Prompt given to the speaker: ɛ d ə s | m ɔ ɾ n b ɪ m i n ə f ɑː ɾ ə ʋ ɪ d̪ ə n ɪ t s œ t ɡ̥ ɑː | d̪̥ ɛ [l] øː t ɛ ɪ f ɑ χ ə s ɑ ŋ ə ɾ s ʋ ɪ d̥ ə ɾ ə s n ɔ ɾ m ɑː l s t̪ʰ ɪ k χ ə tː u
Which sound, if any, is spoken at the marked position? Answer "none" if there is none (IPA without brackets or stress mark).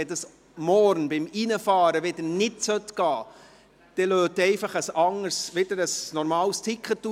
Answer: l